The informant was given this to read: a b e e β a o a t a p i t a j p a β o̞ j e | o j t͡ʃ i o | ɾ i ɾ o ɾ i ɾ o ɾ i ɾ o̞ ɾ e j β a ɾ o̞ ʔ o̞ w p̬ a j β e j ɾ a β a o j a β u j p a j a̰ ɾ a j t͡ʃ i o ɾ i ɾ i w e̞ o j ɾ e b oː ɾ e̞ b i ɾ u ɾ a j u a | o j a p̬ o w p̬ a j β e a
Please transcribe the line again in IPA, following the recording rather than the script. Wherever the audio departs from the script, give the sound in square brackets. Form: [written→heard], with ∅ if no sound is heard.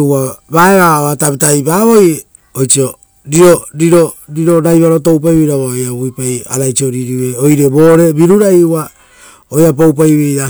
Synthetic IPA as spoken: a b [e→a] e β a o a t a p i t a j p a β o̞ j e | o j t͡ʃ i o | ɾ i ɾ o ɾ i ɾ o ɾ i ɾ o̞ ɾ [e→a] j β a ɾ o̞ [ʔ→t] o̞ w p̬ a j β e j ɾ a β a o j a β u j p a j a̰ ɾ a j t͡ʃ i o ɾ i ɾ i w e̞ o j ɾ e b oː ɾ e̞ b i ɾ u ɾ a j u a | o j a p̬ o w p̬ a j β e a